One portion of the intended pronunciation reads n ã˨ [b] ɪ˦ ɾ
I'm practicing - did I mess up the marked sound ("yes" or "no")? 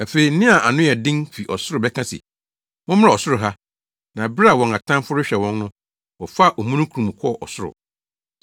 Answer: no